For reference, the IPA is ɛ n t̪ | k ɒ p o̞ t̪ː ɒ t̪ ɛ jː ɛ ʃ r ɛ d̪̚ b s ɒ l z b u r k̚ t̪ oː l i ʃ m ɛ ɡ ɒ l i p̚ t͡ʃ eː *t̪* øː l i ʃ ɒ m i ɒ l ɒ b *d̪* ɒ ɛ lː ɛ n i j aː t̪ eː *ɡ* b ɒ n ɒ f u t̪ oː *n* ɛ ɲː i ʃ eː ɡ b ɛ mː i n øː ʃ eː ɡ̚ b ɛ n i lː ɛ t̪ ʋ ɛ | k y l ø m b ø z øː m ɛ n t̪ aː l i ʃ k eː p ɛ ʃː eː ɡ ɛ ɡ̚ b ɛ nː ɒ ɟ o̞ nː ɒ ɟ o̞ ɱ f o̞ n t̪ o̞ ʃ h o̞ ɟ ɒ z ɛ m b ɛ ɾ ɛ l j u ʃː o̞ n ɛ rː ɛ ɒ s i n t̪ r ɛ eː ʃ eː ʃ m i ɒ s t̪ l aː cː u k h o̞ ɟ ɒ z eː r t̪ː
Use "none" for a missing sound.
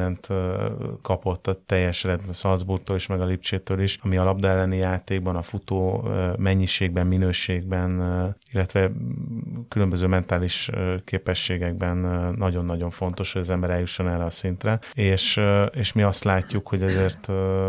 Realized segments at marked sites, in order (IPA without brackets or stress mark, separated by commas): t̪, d̪, ɡ, m